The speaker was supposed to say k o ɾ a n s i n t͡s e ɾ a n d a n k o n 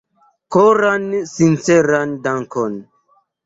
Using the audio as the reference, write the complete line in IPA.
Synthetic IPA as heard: k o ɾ a n s i n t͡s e ɾ a n d a ŋ k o n